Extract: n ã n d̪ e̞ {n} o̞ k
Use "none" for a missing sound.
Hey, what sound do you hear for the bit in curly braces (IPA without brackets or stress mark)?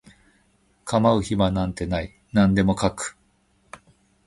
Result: m